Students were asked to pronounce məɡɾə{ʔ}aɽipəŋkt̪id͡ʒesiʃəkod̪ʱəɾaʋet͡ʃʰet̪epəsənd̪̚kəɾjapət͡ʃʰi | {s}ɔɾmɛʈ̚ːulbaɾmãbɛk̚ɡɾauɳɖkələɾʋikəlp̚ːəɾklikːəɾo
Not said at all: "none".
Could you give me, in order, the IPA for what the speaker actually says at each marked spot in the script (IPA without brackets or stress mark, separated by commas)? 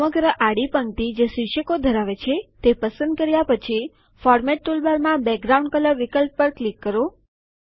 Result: ʔ, f